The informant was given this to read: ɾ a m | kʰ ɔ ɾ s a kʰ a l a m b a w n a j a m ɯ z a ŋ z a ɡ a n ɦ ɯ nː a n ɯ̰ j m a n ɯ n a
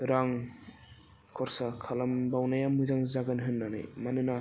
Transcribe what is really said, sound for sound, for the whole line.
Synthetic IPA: ɾ a ŋ | kʰ ɔ ɾ s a kʰ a l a m b a w n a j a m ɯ z a ŋ z a ɡ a n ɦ ɯ nː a n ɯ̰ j m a n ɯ n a